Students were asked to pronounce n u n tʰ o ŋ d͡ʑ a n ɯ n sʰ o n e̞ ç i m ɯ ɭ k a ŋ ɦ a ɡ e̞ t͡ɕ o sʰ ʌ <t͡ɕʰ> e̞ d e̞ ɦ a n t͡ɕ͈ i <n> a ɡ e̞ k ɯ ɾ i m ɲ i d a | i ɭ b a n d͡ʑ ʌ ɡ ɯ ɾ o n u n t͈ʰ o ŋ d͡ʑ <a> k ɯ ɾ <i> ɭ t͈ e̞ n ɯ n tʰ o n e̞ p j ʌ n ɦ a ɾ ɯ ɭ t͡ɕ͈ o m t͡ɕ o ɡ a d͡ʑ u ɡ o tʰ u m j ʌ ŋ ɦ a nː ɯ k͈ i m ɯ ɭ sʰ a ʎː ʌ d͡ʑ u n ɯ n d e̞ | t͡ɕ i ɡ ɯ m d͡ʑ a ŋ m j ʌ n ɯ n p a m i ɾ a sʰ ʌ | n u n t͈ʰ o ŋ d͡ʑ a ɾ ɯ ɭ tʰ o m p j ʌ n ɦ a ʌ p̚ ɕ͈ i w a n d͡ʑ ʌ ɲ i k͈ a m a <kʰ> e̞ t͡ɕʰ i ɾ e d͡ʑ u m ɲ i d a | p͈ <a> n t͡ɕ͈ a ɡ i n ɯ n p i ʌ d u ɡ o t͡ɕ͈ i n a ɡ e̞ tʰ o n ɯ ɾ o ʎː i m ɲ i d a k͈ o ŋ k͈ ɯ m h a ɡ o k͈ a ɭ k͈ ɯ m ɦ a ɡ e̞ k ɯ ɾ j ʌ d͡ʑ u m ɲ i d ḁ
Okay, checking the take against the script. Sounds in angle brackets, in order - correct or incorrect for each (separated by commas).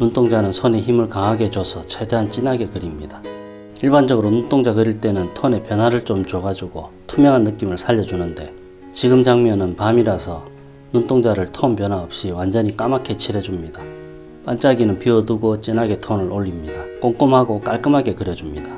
correct, correct, correct, correct, correct, correct